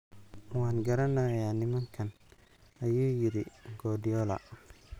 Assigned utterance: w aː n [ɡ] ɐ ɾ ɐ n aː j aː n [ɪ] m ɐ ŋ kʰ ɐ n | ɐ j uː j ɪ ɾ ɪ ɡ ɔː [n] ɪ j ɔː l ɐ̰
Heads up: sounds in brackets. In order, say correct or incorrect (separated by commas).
correct, correct, incorrect